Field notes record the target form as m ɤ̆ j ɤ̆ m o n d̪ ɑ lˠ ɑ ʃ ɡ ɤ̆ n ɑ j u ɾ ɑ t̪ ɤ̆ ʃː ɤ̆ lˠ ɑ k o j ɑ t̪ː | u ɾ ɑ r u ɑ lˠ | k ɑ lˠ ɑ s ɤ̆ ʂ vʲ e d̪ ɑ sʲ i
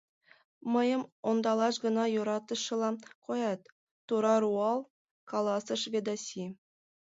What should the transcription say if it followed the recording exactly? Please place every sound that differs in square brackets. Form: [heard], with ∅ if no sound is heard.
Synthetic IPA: m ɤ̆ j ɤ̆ m o n d̪ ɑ lˠ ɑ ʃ ɡ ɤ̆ n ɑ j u ɾ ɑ t̪ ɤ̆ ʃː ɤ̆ lˠ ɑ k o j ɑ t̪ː | u ɾ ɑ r u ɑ lˠ | k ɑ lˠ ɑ s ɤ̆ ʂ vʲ e d̪ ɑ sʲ i